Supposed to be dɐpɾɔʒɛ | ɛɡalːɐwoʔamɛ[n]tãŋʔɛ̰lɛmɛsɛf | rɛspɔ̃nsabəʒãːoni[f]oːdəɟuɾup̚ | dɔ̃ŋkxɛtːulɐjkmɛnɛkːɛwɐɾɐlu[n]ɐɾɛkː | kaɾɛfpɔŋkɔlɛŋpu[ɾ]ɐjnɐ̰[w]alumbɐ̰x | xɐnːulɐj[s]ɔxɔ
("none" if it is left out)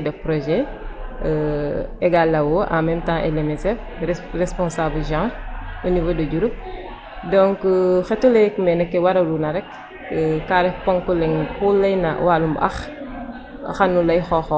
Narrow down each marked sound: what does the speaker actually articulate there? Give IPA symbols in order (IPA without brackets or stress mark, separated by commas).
m, v, n, l, w, x